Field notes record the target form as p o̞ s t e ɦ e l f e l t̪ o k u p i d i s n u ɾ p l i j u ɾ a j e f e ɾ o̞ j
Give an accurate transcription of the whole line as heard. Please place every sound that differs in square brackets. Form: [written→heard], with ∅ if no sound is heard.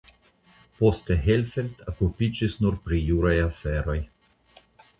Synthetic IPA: p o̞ s t e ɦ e l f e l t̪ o k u p i [d→d͡ʒ] i s n u ɾ p [l→ɾ] i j u ɾ a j [e→a] f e ɾ o̞ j